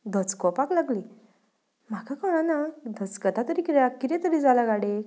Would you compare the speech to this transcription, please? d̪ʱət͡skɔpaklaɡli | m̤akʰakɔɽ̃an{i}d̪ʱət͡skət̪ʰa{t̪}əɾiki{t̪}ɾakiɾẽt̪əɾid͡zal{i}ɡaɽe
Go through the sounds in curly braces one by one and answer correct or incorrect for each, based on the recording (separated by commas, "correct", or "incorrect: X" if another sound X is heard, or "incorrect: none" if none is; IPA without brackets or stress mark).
incorrect: a, correct, incorrect: none, incorrect: a